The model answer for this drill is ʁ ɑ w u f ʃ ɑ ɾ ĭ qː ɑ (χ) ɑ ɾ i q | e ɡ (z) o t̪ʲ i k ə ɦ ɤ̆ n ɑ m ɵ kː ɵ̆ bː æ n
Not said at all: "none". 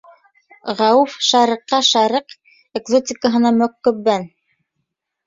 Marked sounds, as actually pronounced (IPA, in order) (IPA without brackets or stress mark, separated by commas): ʃ, z